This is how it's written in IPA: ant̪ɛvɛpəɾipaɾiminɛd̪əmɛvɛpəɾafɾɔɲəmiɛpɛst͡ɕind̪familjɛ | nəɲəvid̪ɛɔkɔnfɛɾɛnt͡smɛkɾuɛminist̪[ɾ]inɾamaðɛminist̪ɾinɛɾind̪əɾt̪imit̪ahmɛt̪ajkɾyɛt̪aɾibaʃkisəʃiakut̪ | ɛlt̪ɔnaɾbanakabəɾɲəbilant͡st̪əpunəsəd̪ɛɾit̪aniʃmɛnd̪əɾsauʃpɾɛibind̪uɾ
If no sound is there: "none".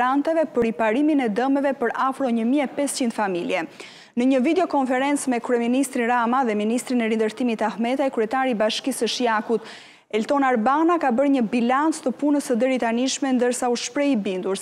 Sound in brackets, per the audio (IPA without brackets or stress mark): ɾ